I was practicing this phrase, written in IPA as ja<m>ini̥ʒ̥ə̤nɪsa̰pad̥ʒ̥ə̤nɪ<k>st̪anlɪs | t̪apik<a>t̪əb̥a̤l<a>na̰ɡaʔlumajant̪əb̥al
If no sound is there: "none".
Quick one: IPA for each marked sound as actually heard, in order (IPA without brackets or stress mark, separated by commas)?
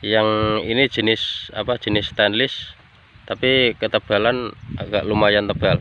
ŋ, none, ə, a